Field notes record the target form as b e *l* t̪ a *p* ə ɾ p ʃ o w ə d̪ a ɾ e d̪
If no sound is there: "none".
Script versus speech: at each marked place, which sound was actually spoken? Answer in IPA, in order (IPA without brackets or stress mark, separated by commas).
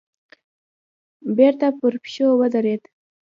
ɾ, p